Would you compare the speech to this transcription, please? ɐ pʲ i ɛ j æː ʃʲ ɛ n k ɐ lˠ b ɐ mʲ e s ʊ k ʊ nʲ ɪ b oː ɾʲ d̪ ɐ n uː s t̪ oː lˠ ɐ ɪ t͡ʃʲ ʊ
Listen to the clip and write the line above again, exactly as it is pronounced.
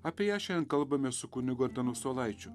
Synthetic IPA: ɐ pʲ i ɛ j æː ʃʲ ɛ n k ɐ lˠ b ɐ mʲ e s ʊ k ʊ nʲ ɪ ɡ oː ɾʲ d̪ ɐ n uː s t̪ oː lˠ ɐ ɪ t͡ʃʲ ʊ